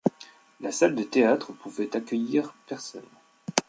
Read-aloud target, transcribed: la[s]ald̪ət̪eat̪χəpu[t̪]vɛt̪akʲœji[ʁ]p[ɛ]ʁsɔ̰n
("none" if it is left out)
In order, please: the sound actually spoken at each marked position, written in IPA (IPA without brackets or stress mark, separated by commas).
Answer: s, none, ʁ, ɛ